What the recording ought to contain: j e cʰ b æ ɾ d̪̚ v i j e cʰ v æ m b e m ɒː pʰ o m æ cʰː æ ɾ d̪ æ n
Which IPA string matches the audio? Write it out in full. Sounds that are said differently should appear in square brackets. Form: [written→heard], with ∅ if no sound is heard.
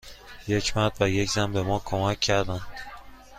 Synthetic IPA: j e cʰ [b→m] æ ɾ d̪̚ v [i→æ] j e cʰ [v→z] æ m b e m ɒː [pʰ→kʰ] o m æ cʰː æ ɾ d̪ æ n